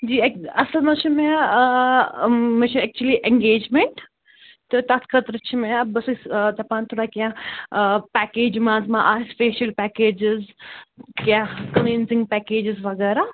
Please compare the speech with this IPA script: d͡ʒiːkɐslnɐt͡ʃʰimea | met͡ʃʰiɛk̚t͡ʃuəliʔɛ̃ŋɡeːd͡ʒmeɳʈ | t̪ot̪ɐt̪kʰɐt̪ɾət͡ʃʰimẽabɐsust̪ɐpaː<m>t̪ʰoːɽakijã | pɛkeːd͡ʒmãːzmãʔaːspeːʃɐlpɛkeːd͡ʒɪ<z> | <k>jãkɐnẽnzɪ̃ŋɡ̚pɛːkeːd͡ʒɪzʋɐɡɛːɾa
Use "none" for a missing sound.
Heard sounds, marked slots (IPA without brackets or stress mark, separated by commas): n, z, k